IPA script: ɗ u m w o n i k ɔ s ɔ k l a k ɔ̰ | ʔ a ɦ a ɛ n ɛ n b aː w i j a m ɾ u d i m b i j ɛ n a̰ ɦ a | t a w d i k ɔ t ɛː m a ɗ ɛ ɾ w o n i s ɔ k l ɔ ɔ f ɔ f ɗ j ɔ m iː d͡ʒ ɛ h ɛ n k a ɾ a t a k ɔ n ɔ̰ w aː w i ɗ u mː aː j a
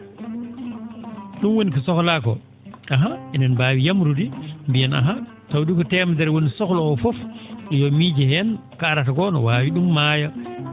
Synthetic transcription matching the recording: ɗ u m w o n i k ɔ s ɔ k l a k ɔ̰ | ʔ a ɦ a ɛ n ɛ n b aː w i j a m ɾ u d i m b i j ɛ n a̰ ɦ a | t a w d i k ɔ t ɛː m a d ɛ ɾ w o n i s ɔ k l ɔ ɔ f ɔ f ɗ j ɔ m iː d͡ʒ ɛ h ɛ n k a ɾ a t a k ɔ n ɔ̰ w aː w i ɗ u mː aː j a

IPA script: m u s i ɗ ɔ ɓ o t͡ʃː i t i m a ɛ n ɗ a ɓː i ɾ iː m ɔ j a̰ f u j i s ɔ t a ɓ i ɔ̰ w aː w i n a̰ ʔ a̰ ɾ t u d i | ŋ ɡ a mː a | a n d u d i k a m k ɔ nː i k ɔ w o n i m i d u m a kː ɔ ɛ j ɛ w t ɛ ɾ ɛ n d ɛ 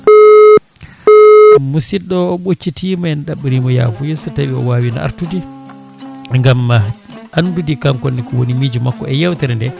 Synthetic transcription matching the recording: m u s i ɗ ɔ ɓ o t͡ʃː i t i m a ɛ n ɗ a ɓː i ɾ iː m ɔ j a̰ f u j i s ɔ t a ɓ i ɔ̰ w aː w i n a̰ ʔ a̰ ɾ t u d i | ŋ ɡ a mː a | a n d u d i k a m k ɔ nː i k ɔ w o n i m i d͡ʒ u m a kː ɔ ɛ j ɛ w t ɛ ɾ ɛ n d ɛ

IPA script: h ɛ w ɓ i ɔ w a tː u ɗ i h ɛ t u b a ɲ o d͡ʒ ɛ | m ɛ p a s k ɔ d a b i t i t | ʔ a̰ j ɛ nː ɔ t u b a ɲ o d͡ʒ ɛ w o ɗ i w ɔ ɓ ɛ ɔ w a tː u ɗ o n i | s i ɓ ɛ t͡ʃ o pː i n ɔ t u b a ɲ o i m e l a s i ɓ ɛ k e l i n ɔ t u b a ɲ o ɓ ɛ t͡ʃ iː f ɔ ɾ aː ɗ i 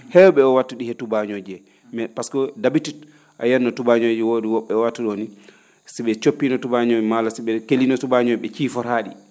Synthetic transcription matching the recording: h ɛ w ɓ ɛ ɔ w a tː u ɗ i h ɛ t u b a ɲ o d͡ʒ ɛ | m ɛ p a s k ɔ d a b i t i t | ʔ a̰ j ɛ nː ɔ t u b a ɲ o d͡ʒ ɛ w o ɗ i w ɔ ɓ ɛ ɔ w a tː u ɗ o n i | s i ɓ ɛ t͡ʃ o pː i n ɔ t u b a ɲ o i m a l a s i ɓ ɛ k e l i n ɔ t u b a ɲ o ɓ ɛ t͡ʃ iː f ɔ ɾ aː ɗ i

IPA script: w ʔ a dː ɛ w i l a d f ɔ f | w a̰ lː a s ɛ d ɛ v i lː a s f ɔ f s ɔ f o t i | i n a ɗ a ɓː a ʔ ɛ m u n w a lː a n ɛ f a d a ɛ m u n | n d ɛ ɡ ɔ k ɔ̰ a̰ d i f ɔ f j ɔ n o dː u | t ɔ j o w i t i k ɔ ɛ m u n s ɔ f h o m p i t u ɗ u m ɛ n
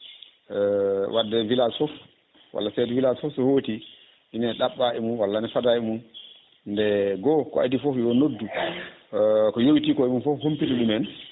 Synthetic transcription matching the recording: w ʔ a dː ɛ v i l a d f ɔ f | w a̰ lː a s ɛ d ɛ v i l a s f ɔ f s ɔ h o t i | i n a ɗ a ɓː a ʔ ɛ m u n w a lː a n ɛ f a d a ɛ m u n | n d ɛ ɡ ɔ k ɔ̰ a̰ d i f ɔ f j ɔ n o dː u | k ɔ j o w i t i k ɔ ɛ m u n f ɔ f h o m p i t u ɗ u m ɛ n

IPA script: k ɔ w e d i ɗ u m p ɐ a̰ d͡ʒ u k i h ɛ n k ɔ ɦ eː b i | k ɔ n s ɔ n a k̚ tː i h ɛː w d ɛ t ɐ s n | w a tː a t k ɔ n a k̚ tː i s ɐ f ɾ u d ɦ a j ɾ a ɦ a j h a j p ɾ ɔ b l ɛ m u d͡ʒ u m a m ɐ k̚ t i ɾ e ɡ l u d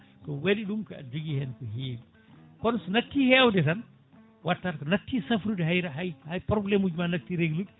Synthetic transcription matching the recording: k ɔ w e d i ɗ u m k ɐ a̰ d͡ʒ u ɡ i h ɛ n k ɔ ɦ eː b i | k ɔ n s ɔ n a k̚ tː i h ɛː w d ɛ t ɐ n | w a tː a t k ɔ n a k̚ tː i s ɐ f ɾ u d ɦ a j ɾ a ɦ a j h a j p ɾ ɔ b l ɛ m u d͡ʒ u m a n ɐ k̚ t i ɾ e ɡ l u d

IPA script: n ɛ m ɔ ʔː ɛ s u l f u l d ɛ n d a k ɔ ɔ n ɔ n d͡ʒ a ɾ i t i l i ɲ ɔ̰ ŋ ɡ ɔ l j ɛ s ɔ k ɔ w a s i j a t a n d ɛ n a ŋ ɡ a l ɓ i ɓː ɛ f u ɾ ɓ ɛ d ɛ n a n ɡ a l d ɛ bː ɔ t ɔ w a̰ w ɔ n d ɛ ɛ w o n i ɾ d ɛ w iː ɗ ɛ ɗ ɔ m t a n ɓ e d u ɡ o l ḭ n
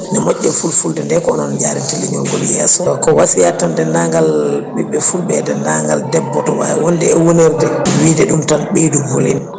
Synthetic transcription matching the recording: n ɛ m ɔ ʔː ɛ f u l f u l d ɛ n d ɛ k ɔ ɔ n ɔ n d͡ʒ a ɾ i t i l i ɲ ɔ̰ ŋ ɡ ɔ l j ɛ s ɔ k ɔ w a s i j a t a n d ɛ n a ŋ ɡ a l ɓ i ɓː ɛ f u l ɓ ɛ d ɛ n a ŋ ɡ a l d ɛ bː ɔ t ɔ w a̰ w ɔ n d ɛ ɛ w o n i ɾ d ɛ w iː d ɛ ɗ u m t a n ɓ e d u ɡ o l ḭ n

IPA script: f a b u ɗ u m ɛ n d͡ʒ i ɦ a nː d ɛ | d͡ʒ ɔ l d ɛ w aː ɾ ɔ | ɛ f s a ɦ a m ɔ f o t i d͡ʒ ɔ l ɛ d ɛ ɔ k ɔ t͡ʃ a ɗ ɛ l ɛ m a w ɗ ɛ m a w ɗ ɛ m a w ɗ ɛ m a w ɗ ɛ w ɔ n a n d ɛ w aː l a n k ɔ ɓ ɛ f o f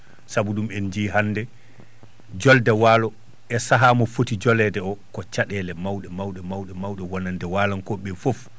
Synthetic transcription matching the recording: s a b u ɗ u m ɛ n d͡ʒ i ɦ a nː d ɛ | d͡ʒ ɔ l d ɛ w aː l ɔ | ɛ s a ɦ a m ɔ f o t i d͡ʒ ɔ l ɛ d ɛ ɔ k ɔ t͡ʃ a ɗ ɛ l ɛ m a w ɗ ɛ m a w ɗ ɛ m a w ɗ ɛ m a w ɗ ɛ w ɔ n a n d ɛ w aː l a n k ɔ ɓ ɛ f o f

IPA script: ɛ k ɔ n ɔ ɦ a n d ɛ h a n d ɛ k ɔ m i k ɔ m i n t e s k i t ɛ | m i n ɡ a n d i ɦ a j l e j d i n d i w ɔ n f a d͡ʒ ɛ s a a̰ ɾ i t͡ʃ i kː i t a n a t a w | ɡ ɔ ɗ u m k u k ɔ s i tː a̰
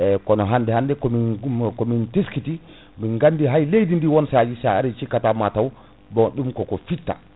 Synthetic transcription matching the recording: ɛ k ɔ n ɔ ɦ a n d ɛ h a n d ɛ k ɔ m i k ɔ m i n t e s k i t i | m i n ɡ a n d i ɦ a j l e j d i n d i w ɔ n s a d͡ʒ i s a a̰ ɾ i t͡ʃ i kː a t a m a t a w | b ɔ ɗ u m k ɔ k ɔ f i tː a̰

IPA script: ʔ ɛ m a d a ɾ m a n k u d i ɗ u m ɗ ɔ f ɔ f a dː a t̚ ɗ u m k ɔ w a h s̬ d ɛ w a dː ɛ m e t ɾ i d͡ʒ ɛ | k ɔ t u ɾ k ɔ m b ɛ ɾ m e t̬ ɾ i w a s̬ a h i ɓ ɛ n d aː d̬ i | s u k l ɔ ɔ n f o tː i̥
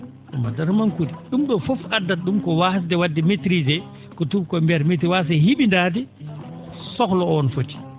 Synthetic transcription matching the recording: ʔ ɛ m a d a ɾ m a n k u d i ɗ u m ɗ ɔ f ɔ f a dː a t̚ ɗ u m k ɔ w a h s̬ d ɛ w a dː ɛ m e t ɾ i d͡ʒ ɛ | k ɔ t u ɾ k ɔ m b ɛ ɾ m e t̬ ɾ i w a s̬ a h i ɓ i n d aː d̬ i | s ɔ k l ɔ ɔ n f o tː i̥

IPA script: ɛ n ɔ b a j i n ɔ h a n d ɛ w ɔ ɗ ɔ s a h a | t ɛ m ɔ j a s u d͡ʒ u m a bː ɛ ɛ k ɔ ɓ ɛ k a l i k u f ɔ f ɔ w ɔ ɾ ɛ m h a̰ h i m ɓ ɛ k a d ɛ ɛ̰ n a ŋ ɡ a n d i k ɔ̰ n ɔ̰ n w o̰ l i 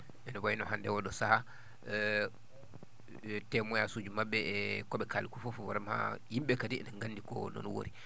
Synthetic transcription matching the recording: ɛ n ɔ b a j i n ɔ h a n d ɛ w ɔ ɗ ɔ s a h a | t ɛ m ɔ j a s u d͡ʒ u m a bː ɛ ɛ k ɔ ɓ ɛ k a l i k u f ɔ f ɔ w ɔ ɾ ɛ m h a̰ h i m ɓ ɛ k a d i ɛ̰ n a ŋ ɡ a n d i k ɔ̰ n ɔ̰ n w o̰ ɾ i

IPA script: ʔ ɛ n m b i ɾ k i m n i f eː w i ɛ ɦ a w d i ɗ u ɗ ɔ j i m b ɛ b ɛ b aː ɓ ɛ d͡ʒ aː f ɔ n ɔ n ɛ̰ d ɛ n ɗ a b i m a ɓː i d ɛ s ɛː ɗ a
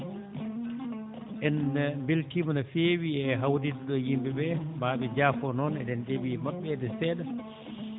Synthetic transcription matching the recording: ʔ ɛ n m b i l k i m n a f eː w i ɛ ɦ a w d i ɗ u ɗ ɔ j i m b ɛ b ɛ b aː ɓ ɛ d͡ʒ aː f ɔ n ɔ n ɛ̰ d ɛ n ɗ e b i m a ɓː ɛ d ɛ s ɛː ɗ a

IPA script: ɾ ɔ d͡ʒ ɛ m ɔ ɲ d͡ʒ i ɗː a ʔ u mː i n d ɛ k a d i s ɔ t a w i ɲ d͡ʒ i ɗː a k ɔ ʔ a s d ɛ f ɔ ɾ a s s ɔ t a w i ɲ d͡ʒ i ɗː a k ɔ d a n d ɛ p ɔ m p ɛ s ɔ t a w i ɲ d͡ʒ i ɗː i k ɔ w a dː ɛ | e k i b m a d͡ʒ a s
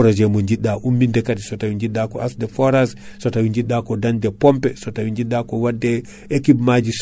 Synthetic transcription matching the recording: ɾ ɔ d͡ʒ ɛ m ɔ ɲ d͡ʒ i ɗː a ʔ u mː i n d ɛ k a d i s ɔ t a w i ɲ d͡ʒ i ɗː a k ɔ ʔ a s d ɛ f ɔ ɾ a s s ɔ t a w i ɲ d͡ʒ i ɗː a k ɔ d a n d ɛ p ɔ m p ɛ s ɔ t a w i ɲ d͡ʒ i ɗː a k ɔ w a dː ɛ | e k i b m a d͡ʒ i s

